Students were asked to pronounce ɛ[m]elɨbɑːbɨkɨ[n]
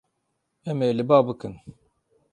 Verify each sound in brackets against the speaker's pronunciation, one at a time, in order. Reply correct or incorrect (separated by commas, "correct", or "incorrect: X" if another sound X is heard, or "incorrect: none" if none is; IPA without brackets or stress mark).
correct, correct